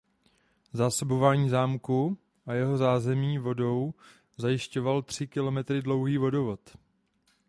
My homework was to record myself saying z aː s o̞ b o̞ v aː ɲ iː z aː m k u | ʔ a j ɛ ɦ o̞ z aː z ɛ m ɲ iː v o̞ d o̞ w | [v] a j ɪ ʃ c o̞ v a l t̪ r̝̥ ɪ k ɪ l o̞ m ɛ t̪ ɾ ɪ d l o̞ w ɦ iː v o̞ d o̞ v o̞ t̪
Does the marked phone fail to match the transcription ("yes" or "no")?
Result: yes